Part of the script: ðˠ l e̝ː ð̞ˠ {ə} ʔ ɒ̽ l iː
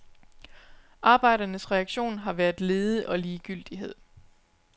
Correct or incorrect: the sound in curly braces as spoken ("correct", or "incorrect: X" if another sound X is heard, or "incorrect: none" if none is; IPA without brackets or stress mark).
correct